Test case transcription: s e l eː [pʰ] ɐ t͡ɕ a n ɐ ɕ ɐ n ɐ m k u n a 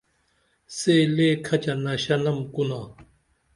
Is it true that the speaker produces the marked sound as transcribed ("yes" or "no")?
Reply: no